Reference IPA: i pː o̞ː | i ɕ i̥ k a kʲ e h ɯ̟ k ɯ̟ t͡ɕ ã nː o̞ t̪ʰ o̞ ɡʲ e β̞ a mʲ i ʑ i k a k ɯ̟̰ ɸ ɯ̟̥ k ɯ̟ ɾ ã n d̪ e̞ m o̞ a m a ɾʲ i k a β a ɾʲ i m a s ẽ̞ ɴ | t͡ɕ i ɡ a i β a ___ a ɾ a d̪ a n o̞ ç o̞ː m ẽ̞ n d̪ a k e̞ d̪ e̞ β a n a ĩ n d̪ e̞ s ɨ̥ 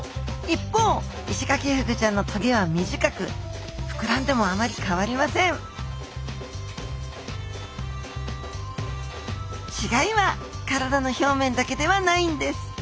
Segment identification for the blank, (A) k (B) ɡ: A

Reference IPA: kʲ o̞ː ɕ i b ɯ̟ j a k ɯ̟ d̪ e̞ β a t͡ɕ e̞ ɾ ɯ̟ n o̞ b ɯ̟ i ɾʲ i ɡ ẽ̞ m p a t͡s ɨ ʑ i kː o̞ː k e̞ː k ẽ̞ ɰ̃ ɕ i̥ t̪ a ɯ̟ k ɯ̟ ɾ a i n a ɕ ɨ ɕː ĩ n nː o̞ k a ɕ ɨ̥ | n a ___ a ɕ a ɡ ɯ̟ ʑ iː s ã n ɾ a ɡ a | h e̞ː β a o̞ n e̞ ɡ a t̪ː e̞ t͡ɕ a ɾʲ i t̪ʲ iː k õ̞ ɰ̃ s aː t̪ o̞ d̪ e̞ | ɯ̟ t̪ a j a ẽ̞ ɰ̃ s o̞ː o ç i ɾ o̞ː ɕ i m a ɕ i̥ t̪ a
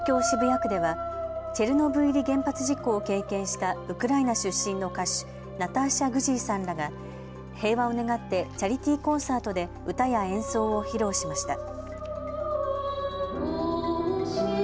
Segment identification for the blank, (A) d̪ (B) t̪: B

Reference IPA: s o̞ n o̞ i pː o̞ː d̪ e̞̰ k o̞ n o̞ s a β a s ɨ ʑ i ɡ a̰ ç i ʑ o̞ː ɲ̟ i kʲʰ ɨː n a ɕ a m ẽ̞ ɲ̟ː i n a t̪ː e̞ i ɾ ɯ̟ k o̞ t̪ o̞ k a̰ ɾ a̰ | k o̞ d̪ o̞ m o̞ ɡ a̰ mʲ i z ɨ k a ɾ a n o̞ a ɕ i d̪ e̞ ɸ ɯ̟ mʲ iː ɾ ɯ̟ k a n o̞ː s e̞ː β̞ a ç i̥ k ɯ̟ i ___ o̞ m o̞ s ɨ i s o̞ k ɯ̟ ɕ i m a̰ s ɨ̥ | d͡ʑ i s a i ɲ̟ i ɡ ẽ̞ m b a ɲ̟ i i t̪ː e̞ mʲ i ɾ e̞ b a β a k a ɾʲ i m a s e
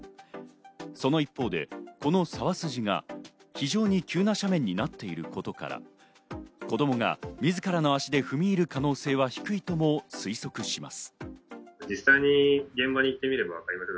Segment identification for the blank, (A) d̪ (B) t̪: B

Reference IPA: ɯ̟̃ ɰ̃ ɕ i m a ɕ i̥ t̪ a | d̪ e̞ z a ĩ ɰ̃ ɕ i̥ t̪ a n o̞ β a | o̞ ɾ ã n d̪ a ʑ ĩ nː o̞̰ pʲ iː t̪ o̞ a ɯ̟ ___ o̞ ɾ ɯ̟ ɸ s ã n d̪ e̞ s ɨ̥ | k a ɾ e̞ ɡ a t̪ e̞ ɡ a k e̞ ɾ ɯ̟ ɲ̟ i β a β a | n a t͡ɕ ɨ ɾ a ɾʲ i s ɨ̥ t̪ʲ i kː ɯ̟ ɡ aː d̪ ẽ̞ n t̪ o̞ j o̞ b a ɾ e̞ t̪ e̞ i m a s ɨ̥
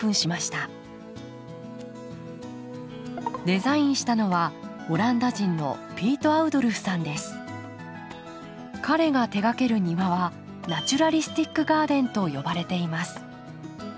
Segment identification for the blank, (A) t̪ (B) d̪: B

